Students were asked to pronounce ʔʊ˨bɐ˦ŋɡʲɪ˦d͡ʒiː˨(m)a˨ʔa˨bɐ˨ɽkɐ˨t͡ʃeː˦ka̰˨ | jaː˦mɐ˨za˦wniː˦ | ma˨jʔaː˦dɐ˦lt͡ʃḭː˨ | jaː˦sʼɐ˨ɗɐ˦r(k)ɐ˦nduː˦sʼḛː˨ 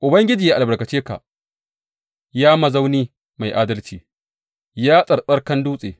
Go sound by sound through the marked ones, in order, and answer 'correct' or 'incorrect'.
incorrect, correct

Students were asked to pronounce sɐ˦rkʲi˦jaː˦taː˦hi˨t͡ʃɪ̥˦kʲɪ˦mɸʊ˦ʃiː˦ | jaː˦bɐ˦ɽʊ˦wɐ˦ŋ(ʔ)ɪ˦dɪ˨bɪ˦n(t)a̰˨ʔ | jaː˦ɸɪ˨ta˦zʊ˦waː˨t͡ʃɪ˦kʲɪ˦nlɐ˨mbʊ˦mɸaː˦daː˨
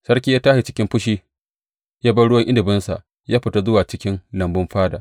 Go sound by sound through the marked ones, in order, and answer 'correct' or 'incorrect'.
correct, incorrect

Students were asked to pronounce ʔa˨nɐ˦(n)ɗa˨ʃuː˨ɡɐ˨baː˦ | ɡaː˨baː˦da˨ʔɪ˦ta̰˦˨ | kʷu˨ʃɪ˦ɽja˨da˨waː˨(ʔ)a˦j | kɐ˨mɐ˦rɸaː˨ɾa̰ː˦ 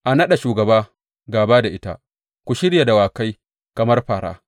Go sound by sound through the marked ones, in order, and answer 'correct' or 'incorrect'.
incorrect, incorrect

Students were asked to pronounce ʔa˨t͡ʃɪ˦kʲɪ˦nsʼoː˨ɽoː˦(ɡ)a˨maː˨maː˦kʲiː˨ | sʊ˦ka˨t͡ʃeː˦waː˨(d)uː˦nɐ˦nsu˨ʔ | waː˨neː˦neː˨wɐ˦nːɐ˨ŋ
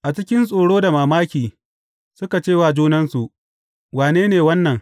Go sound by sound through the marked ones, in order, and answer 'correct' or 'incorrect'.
incorrect, incorrect

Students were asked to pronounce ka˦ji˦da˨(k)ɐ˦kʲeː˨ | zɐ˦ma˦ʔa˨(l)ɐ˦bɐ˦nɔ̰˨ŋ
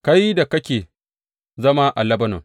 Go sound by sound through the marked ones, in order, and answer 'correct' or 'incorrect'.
correct, correct

